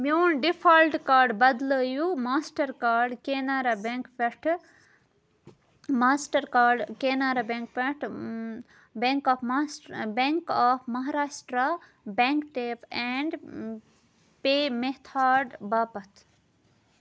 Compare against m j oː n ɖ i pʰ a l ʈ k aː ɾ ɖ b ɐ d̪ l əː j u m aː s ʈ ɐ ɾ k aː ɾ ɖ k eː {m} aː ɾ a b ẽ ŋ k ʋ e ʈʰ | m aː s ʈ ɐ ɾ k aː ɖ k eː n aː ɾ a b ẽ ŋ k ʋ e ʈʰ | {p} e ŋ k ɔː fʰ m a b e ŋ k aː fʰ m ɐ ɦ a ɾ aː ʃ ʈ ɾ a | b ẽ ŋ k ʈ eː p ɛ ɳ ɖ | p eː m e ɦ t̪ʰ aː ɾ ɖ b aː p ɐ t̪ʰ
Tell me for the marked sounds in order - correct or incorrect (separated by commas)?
incorrect, incorrect